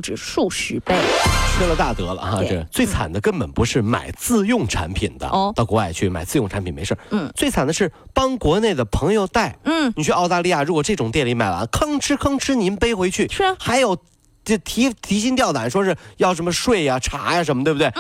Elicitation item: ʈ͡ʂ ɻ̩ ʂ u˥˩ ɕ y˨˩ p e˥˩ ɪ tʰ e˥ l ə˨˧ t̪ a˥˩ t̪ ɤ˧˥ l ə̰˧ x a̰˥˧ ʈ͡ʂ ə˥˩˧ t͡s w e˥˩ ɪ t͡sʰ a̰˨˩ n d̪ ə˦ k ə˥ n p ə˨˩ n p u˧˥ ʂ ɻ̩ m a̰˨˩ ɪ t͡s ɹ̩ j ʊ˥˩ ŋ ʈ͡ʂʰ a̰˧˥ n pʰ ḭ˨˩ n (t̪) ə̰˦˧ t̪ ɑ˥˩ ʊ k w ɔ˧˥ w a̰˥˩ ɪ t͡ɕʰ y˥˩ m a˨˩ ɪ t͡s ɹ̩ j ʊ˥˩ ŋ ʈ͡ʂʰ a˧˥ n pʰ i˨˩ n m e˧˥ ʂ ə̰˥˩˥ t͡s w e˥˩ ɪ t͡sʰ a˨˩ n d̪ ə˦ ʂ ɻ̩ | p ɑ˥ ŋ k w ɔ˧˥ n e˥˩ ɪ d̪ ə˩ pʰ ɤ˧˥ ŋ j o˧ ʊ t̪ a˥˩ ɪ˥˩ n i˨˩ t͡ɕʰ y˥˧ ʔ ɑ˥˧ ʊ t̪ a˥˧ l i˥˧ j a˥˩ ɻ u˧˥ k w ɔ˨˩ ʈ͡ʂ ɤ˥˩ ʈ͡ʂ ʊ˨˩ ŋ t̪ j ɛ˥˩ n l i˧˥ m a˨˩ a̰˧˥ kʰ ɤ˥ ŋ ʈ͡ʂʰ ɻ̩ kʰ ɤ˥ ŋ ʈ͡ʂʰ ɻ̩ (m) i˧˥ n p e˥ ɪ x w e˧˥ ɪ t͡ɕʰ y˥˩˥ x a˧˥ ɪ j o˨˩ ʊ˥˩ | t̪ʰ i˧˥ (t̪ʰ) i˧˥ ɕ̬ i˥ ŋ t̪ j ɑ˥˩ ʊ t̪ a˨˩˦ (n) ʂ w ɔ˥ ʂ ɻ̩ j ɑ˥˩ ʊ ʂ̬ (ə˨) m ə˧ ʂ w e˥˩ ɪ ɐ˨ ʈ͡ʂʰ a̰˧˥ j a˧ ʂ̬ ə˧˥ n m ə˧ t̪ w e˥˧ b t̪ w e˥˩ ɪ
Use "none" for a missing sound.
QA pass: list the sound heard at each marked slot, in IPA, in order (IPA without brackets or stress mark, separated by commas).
d̪, n, t̪ʰ, n, ə˧˥